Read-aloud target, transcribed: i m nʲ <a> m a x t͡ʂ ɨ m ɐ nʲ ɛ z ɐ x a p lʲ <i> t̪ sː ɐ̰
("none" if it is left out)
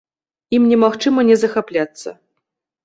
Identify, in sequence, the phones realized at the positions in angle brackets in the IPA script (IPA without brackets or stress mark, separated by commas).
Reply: ɛ, a